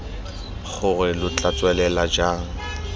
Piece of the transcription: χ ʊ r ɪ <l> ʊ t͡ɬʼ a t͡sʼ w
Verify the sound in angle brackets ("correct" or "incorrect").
correct